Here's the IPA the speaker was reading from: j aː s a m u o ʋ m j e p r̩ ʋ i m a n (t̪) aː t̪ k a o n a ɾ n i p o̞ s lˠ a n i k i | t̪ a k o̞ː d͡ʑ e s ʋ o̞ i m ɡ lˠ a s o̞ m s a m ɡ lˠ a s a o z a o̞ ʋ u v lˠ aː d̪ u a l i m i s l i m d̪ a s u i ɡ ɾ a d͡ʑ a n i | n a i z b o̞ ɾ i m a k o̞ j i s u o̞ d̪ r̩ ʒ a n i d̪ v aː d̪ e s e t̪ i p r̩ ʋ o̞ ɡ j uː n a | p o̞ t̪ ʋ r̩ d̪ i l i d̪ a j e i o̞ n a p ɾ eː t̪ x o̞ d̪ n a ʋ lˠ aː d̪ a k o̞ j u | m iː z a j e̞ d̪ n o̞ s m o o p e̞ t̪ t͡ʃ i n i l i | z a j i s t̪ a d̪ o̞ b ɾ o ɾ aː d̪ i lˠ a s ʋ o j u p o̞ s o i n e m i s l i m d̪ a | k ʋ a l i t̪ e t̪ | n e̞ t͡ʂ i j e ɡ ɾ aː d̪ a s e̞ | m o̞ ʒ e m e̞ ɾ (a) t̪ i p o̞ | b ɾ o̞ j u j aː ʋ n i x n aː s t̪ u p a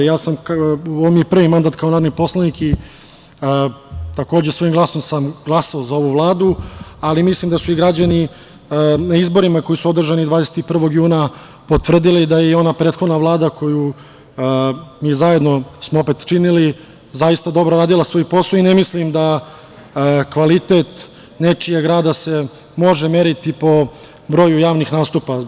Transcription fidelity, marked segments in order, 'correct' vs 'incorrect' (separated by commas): incorrect, incorrect